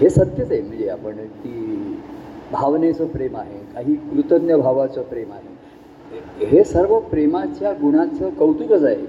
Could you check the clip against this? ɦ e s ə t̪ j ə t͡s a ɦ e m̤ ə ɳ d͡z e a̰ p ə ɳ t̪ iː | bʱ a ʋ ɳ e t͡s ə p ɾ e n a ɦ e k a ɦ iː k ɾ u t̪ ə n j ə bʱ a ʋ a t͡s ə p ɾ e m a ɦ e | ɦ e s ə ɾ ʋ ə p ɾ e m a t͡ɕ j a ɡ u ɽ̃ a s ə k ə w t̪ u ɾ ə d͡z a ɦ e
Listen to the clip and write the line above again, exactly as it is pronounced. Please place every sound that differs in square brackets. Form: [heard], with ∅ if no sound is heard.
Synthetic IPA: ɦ e s ə t̪ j ə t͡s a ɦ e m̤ ə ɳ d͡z e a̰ p ə ɳ t̪ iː | bʱ a ʋ [n] e t͡s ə p ɾ e [m] a ɦ e k a ɦ iː k ɾ u t̪ ə n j ə bʱ a ʋ a t͡s ə p ɾ e m a ɦ e | ɦ e s ə ɾ ʋ ə p ɾ e m a t͡ɕ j a ɡ u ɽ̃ a [t͡s] ə k ə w t̪ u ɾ ə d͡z a ɦ e